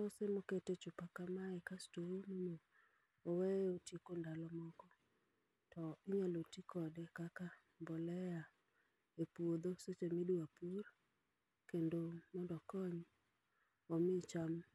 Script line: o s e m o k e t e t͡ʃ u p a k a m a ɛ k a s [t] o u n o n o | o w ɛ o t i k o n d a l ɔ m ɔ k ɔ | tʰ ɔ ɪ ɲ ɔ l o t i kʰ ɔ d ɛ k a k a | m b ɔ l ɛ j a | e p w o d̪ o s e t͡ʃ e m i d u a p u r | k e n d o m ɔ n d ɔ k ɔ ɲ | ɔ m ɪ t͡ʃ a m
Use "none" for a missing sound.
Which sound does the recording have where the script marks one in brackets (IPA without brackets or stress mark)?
t